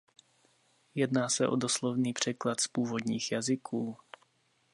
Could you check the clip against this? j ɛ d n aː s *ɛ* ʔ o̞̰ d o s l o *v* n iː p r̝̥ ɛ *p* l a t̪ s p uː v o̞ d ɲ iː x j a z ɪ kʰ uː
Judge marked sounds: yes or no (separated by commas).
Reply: yes, yes, no